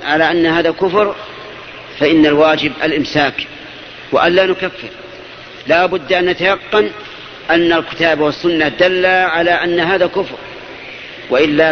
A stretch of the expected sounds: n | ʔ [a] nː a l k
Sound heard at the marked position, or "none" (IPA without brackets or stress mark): a